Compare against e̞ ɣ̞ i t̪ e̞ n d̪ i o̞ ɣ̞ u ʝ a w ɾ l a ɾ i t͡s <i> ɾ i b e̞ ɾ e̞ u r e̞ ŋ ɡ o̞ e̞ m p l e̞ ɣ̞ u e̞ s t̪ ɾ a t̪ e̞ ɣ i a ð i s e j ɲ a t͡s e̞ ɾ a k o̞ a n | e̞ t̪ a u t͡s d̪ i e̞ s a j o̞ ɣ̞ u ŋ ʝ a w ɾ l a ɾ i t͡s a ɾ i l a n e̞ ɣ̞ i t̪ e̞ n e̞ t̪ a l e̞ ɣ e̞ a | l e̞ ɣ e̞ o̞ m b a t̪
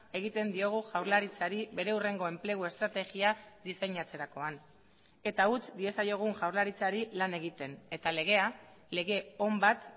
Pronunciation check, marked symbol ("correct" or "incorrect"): incorrect